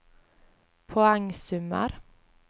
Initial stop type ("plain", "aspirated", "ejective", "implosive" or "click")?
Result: aspirated